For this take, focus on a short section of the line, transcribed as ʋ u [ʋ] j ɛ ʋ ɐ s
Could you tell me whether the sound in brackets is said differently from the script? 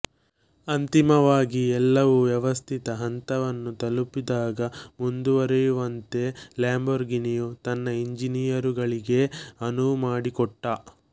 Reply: no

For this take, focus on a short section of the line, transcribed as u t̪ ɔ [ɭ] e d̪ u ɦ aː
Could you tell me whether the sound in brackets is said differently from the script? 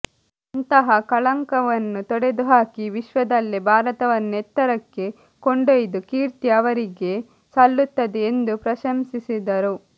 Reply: yes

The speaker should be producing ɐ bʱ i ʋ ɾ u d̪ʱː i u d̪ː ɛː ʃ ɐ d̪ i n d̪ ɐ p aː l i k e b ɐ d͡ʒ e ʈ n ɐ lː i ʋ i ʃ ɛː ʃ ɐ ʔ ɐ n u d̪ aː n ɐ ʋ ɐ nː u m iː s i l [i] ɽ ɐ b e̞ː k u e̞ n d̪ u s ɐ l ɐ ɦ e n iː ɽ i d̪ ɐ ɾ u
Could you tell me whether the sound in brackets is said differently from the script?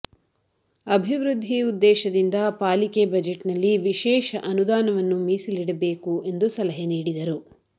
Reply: no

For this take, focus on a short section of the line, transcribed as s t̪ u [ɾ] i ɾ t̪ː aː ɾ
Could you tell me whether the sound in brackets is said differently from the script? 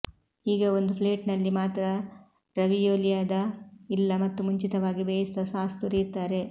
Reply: no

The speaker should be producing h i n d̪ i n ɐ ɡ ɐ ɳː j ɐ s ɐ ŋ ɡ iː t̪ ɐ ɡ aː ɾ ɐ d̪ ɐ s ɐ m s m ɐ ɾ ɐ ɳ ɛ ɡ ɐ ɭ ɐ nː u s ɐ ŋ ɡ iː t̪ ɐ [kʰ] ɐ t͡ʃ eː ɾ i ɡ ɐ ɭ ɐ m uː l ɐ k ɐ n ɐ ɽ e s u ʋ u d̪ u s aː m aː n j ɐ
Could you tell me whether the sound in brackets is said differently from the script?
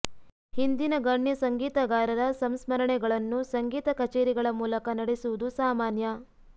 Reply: yes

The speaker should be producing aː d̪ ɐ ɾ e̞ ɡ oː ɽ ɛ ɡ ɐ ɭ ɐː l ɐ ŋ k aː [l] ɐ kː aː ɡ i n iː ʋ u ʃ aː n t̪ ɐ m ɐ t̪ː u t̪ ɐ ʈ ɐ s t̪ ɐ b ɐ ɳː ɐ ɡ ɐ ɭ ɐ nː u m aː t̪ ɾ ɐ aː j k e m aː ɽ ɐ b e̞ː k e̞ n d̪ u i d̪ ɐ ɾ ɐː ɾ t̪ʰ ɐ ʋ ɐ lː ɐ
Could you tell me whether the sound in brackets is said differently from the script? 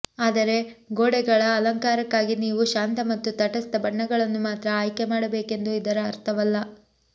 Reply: yes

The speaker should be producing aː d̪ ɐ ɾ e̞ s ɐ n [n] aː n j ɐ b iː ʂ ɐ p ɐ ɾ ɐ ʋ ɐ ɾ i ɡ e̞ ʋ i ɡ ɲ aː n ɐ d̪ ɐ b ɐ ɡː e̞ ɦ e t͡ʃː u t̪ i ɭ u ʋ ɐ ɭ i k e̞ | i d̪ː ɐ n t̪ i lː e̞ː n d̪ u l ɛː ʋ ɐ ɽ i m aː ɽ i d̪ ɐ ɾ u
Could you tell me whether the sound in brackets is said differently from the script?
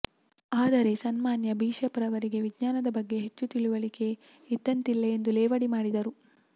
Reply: yes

